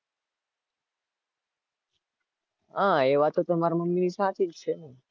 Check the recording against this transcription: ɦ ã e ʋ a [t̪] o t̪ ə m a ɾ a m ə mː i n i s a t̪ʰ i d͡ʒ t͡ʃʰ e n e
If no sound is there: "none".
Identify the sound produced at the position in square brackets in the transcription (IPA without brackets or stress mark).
t̪